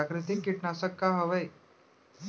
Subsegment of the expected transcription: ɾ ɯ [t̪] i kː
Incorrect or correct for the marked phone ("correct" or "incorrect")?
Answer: correct